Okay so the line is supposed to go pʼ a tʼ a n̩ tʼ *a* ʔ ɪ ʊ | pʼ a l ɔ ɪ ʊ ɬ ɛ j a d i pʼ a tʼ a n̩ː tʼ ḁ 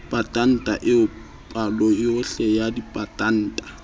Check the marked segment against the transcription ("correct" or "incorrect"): correct